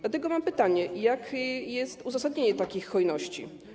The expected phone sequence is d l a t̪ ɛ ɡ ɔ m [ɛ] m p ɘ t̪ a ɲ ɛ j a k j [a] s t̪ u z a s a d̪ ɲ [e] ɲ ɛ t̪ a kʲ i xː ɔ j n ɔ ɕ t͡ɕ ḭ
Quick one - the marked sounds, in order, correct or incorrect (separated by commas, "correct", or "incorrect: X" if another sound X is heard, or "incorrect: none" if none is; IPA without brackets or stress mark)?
incorrect: a, incorrect: ɛ, correct